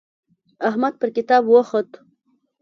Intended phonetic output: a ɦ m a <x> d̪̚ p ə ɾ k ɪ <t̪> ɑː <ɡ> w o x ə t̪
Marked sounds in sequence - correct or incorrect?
incorrect: none, correct, incorrect: b

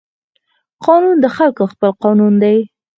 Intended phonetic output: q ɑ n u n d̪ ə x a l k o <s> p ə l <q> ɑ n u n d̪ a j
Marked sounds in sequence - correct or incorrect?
incorrect: x, correct

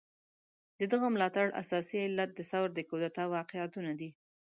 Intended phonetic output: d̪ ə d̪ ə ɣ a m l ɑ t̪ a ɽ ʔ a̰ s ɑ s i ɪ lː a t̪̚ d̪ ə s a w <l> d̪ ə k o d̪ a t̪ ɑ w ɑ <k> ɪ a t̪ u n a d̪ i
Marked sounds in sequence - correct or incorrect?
incorrect: ɾ, incorrect: q

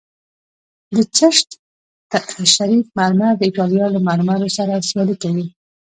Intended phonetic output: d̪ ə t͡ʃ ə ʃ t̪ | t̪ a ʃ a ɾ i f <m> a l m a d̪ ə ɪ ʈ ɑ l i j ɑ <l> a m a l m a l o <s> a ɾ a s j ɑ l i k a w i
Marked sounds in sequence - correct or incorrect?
correct, correct, correct

